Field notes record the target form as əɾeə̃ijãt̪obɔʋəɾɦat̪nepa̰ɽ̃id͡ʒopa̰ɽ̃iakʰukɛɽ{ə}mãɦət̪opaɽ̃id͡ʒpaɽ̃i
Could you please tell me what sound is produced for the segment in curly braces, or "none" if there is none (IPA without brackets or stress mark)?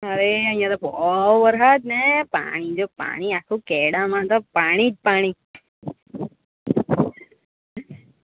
a